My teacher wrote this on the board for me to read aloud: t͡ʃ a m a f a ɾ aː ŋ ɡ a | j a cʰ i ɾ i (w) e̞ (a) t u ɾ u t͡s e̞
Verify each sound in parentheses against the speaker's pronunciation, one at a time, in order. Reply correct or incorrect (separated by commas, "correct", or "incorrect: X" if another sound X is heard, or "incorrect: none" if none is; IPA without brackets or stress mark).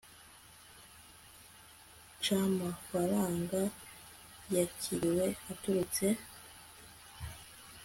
correct, correct